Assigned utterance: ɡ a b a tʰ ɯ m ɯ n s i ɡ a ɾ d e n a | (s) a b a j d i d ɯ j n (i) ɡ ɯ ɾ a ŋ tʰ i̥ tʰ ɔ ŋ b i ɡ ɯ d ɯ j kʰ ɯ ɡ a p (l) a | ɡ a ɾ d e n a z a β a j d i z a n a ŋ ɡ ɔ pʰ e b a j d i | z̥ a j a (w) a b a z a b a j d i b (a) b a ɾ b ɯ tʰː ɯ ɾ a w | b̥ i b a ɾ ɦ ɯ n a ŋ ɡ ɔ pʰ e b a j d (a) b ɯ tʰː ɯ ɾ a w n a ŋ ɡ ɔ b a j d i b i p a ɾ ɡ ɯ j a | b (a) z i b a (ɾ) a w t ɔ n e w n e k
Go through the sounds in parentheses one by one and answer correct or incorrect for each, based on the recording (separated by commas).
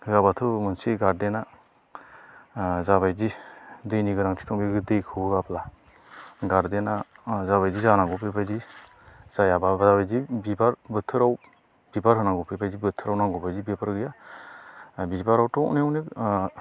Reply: incorrect, correct, correct, incorrect, incorrect, incorrect, incorrect, correct